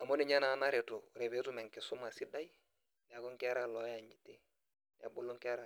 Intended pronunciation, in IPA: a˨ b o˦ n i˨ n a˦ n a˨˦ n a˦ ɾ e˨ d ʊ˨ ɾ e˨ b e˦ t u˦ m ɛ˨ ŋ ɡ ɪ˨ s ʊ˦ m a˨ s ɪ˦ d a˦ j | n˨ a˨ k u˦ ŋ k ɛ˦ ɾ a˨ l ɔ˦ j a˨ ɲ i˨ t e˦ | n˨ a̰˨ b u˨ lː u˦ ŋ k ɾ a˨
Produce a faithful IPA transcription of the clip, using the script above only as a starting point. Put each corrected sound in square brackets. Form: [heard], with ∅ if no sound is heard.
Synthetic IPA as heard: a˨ [m] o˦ n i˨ [ɲ] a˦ n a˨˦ n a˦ ɾ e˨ [t] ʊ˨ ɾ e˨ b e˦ t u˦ m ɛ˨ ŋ [k] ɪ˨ s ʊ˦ m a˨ s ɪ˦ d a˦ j | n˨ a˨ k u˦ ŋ k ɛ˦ ɾ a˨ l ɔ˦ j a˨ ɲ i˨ t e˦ | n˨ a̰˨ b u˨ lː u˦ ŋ k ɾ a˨